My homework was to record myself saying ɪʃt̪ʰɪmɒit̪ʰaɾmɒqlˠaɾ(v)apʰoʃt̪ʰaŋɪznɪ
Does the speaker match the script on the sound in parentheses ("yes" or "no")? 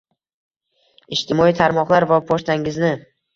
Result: yes